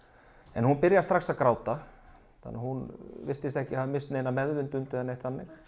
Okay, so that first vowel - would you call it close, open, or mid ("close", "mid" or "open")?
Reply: mid